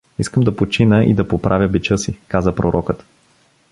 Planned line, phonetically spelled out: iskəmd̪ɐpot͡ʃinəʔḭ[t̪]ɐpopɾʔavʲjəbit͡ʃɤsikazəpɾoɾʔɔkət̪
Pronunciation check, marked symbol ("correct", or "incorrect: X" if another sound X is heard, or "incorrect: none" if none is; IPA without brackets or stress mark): incorrect: d̪